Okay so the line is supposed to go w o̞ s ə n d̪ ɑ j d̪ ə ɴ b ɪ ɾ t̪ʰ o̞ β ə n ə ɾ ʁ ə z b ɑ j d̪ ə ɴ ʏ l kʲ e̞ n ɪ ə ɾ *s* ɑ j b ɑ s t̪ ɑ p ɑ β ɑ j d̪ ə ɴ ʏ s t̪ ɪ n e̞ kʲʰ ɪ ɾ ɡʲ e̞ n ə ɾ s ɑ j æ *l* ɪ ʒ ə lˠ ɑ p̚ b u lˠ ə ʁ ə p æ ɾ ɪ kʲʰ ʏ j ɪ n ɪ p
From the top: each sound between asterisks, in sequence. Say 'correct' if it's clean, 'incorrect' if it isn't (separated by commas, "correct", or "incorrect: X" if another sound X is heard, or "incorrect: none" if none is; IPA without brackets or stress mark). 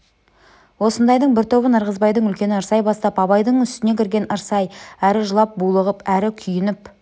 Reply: correct, incorrect: ɾ